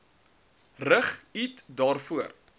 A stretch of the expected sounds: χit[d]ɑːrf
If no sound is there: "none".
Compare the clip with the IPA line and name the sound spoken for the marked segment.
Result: d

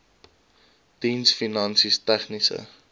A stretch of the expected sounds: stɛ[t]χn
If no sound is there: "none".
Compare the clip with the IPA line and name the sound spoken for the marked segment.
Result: none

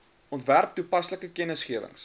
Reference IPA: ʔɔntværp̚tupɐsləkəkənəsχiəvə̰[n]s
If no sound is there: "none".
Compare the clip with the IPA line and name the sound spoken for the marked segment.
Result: ŋ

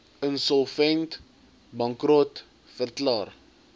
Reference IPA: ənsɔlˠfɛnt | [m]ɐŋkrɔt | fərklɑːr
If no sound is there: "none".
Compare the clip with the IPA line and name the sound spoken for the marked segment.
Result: b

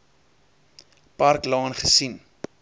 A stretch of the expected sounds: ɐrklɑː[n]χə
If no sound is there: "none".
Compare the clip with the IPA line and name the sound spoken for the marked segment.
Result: n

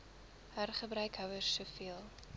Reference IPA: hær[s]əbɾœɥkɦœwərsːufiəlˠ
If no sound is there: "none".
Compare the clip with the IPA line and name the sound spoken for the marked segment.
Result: χ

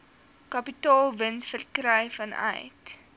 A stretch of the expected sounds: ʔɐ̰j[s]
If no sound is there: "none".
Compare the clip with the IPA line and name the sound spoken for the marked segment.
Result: t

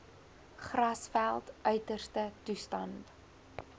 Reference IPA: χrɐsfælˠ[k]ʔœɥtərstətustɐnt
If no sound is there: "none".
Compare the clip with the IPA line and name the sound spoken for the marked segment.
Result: t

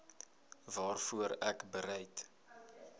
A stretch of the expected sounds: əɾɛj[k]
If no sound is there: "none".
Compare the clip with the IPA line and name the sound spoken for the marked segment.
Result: t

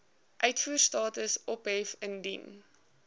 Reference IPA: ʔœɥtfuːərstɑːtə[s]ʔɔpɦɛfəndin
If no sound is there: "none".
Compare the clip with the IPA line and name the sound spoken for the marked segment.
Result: s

